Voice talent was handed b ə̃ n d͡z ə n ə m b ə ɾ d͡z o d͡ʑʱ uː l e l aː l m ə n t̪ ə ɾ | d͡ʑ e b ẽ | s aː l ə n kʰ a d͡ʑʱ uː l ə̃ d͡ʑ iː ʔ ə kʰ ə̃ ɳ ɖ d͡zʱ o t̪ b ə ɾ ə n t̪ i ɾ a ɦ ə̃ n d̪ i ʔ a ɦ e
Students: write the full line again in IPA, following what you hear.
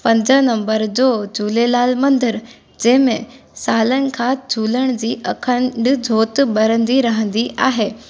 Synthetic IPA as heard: p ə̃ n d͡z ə n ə m b ə ɾ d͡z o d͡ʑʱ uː l e l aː l m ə n d̪ ə ɾ | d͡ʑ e m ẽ | s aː l ə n kʰ a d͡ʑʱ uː l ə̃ d͡ʑ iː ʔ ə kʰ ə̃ ɳ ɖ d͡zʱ o t̪ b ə ɾ ə n d̪ i ɾ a ɦ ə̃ n d̪ i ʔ a ɦ e